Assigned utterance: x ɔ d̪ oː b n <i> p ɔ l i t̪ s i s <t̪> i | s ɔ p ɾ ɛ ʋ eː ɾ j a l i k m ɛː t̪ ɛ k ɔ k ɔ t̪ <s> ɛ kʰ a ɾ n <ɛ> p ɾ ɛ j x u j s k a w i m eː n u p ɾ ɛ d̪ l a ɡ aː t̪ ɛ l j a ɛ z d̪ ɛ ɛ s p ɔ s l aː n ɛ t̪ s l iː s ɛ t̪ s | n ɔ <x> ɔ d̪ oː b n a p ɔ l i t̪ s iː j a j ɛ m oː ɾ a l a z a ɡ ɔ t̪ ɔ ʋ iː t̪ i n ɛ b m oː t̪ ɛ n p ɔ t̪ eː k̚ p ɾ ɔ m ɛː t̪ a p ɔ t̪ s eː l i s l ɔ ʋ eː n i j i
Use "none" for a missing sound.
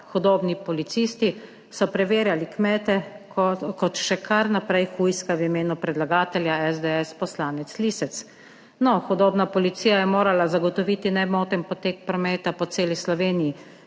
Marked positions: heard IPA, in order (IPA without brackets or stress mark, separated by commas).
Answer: i, t̪, ʃ, a, x